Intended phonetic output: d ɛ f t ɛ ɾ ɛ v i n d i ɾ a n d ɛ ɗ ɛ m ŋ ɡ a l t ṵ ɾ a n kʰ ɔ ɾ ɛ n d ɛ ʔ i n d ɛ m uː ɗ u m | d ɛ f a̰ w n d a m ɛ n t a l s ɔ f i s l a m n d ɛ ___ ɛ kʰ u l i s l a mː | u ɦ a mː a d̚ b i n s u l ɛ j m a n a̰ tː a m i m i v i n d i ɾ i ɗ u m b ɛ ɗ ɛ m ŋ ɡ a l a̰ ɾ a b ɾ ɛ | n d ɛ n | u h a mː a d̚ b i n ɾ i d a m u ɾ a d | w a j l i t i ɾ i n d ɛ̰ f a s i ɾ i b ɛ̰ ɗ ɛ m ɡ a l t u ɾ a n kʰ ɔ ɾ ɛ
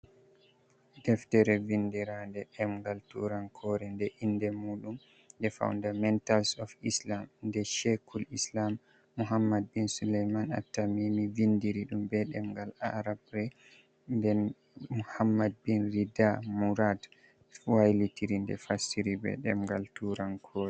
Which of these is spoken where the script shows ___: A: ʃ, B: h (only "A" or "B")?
A